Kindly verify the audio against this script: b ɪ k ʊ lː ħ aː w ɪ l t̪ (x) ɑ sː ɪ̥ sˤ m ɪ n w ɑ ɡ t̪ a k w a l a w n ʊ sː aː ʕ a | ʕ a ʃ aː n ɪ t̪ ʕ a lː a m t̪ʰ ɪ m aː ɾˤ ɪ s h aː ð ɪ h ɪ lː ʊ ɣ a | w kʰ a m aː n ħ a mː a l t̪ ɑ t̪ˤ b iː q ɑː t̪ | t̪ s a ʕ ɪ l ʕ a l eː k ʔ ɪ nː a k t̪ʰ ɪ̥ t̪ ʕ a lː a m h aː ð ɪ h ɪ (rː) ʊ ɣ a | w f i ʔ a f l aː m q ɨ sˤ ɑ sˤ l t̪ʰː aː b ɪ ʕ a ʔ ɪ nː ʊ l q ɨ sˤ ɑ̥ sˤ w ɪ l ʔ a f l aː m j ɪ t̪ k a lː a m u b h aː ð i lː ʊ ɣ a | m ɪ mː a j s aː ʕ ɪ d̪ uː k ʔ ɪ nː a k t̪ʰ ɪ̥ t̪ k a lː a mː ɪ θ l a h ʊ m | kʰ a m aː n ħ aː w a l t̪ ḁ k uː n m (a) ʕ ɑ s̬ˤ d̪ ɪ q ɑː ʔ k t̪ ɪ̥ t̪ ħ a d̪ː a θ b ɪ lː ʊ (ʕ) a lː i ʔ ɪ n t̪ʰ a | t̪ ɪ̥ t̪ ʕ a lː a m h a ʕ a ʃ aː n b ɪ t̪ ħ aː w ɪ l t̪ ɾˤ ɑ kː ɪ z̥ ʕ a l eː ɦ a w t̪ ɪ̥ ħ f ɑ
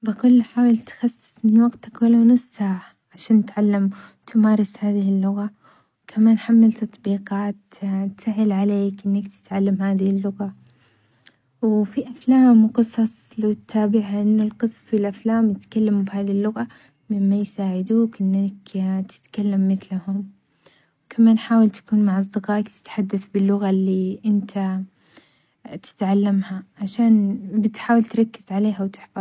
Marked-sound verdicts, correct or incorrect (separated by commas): correct, incorrect, correct, incorrect